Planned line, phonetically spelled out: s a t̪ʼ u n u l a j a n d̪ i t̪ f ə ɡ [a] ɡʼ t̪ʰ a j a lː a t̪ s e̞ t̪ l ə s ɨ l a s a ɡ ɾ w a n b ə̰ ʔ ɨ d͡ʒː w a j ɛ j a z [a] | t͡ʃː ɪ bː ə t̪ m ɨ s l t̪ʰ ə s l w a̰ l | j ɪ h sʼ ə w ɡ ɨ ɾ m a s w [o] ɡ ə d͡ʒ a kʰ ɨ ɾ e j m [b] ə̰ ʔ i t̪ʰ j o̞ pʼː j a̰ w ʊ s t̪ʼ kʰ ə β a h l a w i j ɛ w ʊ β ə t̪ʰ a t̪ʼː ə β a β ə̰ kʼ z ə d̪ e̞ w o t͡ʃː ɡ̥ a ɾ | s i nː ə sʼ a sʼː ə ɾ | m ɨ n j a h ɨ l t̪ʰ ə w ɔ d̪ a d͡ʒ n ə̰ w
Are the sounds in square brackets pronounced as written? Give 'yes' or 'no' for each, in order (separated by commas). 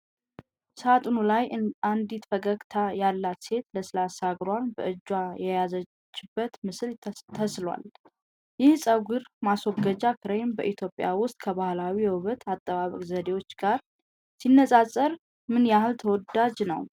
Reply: no, no, no, yes